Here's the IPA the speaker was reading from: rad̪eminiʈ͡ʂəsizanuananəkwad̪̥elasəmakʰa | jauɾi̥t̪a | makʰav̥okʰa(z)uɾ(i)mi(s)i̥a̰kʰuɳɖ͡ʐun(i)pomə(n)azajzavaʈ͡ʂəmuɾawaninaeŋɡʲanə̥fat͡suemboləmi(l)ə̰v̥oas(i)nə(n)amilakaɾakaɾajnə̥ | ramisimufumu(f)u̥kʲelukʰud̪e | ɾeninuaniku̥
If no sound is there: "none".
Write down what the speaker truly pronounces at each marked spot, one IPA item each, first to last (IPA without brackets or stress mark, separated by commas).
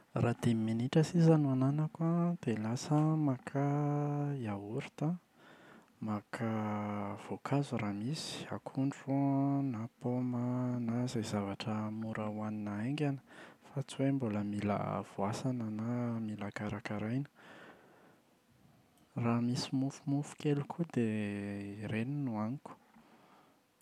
z, a, s, a, n, l, a, n, f